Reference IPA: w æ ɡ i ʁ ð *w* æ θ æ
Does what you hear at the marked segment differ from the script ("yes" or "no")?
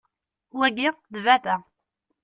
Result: yes